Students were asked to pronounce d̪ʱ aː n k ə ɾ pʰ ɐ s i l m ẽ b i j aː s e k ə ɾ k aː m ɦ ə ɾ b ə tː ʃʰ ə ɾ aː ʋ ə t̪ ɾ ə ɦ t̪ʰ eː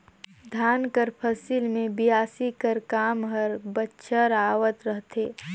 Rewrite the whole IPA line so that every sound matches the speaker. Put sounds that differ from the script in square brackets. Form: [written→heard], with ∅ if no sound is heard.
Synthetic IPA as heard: d̪ʱ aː n k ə ɾ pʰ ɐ s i l m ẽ b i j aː s [e→i] k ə ɾ k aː m ɦ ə ɾ b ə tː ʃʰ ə ɾ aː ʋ ə t̪ ɾ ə ɦ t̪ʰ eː